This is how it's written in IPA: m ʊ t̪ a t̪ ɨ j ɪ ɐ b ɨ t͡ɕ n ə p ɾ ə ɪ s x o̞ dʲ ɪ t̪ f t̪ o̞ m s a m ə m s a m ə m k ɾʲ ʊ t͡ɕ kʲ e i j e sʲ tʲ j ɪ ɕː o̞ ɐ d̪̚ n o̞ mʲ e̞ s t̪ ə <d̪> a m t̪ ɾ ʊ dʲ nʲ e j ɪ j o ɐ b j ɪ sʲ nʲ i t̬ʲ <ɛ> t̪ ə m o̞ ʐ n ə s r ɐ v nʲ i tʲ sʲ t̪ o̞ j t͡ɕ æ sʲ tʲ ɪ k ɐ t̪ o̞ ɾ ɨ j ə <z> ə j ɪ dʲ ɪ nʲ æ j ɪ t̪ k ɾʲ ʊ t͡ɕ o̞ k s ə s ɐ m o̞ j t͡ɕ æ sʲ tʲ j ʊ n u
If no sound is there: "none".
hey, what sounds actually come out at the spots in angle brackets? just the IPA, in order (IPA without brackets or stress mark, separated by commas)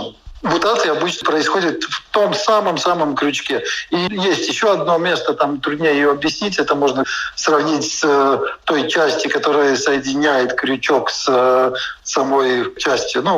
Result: t̪, ɛ, s